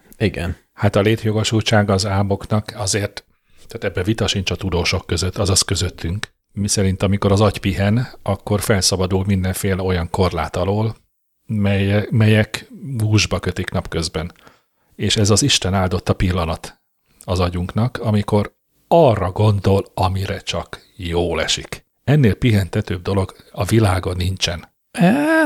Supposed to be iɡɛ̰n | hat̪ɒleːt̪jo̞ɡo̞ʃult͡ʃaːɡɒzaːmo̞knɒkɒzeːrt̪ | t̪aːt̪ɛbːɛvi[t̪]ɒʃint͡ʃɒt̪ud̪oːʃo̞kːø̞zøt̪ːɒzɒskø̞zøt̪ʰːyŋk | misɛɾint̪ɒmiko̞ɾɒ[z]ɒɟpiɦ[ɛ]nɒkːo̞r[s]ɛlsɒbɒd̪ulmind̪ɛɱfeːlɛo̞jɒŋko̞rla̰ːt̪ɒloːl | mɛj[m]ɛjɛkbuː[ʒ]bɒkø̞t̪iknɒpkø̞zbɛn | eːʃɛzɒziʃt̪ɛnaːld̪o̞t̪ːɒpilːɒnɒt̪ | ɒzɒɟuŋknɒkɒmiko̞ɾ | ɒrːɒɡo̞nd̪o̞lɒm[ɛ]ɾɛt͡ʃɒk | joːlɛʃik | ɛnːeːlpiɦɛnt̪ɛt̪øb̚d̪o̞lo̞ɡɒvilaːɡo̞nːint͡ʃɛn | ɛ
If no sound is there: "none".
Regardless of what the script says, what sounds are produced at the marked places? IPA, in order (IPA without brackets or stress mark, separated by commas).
t̪, z, ɛ, f, m, ʒ, i